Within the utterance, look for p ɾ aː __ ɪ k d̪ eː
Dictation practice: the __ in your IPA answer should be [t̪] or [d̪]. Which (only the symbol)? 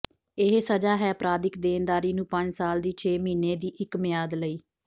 d̪